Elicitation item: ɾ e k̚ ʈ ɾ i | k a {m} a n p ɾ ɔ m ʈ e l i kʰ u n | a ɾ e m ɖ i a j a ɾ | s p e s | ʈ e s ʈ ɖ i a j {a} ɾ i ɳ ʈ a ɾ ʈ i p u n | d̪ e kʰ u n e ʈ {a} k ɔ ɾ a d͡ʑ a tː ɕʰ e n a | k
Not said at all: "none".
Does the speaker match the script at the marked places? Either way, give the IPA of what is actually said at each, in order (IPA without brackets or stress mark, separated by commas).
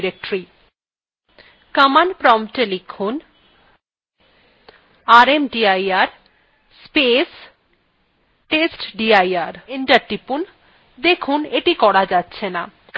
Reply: m, a, i